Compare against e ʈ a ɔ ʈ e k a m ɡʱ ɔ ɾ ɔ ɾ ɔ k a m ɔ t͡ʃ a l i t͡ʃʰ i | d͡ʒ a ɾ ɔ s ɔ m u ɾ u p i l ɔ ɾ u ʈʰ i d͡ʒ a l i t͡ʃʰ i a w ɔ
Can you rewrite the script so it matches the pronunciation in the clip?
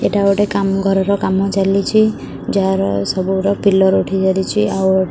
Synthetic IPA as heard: e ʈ a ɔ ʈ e k a m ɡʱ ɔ ɾ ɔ ɾ ɔ k a m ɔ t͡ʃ a l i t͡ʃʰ i | d͡ʒ a ɾ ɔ s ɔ b u ɾ ɔ p i l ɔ ɾ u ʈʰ i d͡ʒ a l i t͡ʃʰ i a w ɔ